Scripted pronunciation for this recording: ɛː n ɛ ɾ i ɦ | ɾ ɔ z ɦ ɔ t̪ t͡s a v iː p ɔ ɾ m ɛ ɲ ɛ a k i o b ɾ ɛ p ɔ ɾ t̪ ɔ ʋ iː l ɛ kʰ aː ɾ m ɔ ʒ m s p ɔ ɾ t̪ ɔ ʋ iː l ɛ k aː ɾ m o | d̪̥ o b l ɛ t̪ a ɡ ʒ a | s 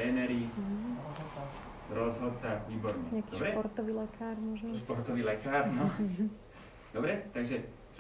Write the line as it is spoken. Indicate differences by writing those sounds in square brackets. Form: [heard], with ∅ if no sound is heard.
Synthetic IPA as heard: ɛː n ɛ ɾ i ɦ | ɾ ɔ z ɦ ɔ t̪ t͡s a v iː [b] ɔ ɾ [ɲ] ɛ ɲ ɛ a k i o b ɾ ɛ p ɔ ɾ t̪ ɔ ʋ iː l ɛ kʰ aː ɾ m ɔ ʒ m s p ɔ ɾ t̪ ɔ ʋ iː l ɛ k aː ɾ [n] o | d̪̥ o b [ɾ] ɛ t̪ a ɡ ʒ [ɛ] | s